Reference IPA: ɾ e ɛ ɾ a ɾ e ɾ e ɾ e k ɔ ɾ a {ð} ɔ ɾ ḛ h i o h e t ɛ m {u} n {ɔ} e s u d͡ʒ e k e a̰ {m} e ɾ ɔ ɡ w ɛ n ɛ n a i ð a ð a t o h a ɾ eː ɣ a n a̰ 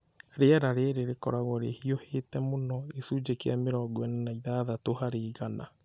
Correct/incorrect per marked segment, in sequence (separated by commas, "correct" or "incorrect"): incorrect, incorrect, correct, correct